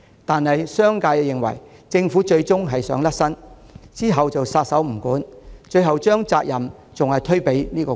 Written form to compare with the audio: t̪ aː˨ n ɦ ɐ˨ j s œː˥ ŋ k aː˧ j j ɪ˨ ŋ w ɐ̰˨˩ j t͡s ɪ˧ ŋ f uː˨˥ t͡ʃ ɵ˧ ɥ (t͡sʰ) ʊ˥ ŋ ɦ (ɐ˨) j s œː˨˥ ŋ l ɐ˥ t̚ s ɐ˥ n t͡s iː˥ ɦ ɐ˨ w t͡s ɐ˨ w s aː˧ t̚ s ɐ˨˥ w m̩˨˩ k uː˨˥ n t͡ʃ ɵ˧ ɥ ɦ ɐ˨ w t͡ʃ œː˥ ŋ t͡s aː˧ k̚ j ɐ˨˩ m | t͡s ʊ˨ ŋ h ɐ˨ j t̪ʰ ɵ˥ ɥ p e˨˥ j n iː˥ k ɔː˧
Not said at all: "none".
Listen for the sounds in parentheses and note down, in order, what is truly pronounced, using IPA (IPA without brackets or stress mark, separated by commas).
t͡s, ɐ˨